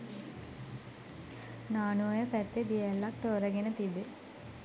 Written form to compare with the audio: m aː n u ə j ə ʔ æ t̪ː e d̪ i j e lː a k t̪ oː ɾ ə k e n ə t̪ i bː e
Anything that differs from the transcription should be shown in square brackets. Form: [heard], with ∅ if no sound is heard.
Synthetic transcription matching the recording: [n] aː n u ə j ə [p] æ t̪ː e d̪ i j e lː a k t̪ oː ɾ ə [ɡ] e n ə t̪ i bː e